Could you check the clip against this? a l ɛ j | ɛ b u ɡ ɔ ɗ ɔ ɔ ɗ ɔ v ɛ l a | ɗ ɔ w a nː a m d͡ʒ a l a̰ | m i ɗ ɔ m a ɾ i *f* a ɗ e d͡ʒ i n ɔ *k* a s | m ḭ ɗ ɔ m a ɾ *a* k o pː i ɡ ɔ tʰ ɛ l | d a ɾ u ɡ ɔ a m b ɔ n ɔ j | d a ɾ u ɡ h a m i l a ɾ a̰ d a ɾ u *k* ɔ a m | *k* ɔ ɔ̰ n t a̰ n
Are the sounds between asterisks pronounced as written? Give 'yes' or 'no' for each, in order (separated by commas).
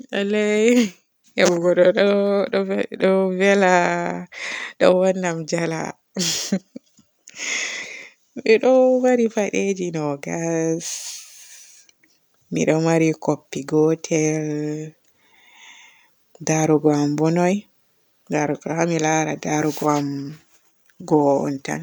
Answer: yes, no, no, no, no